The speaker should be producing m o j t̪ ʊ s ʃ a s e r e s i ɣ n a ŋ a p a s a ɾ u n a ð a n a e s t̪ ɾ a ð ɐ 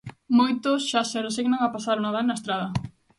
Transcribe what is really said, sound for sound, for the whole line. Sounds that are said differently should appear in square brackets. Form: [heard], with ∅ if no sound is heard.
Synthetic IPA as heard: m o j t̪ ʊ s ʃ a s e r e s i ɣ n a ŋ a p a s a ɾ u n a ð a n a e s t̪ ɾ a ð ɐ